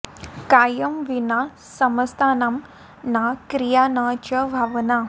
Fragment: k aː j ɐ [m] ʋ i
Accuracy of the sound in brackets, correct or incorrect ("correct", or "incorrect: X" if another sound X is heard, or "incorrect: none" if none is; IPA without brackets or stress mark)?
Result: correct